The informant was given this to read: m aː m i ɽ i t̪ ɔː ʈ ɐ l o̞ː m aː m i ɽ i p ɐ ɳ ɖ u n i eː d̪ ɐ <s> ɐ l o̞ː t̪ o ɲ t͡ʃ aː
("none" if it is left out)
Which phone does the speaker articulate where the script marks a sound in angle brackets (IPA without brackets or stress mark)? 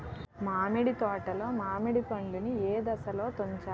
s